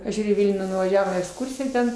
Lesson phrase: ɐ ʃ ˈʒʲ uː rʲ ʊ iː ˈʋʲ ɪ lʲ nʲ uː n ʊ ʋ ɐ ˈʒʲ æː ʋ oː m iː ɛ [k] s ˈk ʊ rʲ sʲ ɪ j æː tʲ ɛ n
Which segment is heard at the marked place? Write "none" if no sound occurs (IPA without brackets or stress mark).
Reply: k